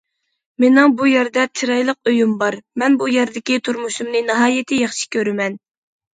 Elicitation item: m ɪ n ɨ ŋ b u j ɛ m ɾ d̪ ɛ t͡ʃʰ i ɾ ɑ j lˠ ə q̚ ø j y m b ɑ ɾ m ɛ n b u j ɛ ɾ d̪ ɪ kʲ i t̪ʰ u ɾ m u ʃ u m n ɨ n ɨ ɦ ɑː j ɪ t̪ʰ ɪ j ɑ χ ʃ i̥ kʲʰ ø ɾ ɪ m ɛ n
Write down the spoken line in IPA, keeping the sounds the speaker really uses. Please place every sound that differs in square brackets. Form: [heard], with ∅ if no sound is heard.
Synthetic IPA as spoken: m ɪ n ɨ ŋ b u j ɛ [∅] ɾ d̪ ɛ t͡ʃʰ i ɾ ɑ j lˠ ə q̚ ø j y m b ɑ ɾ m ɛ n b u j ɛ ɾ d̪ ɪ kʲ i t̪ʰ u ɾ m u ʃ u m n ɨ n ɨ ɦ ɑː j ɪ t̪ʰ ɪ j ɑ χ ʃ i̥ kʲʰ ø ɾ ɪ m ɛ n